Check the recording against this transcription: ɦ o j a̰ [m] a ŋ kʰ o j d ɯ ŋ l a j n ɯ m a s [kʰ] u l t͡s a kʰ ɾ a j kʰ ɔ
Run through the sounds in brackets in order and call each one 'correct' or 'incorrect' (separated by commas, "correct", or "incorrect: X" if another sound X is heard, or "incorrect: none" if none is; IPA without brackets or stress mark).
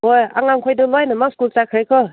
incorrect: ŋ, incorrect: k